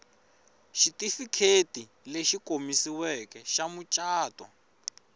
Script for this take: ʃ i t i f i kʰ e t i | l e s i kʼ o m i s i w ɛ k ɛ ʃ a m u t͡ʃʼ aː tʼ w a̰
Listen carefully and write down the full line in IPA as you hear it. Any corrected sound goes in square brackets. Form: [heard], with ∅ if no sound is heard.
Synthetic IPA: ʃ i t i f i kʰ e t i | l e [ʃ] i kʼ o m i s i w ɛ k ɛ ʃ a m u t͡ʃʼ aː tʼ w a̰